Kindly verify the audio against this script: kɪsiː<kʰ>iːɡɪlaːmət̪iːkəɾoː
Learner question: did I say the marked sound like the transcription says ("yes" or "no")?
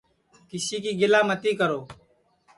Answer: no